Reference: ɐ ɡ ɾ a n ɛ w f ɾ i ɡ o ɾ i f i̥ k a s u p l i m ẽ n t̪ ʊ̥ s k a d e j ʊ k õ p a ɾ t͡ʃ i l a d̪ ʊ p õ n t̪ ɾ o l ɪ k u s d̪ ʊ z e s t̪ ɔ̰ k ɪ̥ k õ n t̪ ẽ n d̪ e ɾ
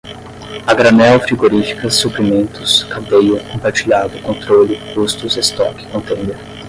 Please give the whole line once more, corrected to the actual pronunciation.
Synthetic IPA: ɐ ɡ ɾ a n ɛ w f ɾ i ɡ o ɾ i f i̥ k ɐ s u p l i m ẽ n t̪ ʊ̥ s k a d e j ʊ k õ p a ɾ t͡ʃ i ʎ a d̪ ʊ k õ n t̪ ɾ o l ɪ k u s t̪ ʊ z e s t̪ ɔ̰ k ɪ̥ k õ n t̪ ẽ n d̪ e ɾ